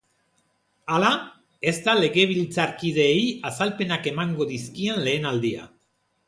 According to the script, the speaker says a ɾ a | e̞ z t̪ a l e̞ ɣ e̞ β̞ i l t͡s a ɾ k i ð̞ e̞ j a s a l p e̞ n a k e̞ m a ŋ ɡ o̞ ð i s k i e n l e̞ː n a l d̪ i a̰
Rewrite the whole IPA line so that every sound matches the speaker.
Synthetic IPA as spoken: a l a | e̞ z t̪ a l e̞ ɣ e̞ β̞ i l t͡s a ɾ k i ð̞ e̞ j a s a l p e̞ n a k e̞ m a ŋ ɡ o̞ ð i s k i e n l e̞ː n a l d̪ i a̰